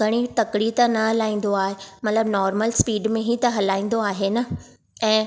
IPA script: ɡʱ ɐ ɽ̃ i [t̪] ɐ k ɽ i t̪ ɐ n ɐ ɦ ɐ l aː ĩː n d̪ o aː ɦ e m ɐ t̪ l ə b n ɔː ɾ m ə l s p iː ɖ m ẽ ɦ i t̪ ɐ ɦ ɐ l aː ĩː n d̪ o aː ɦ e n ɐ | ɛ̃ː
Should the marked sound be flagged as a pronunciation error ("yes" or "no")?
no